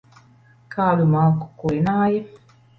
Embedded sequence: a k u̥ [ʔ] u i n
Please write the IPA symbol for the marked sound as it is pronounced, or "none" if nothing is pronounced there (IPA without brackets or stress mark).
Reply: k